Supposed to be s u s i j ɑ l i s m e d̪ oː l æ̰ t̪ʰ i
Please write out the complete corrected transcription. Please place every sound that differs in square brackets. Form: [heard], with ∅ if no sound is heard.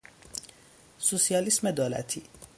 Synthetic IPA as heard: s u s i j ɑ l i s m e d̪ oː l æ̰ t̪ʰ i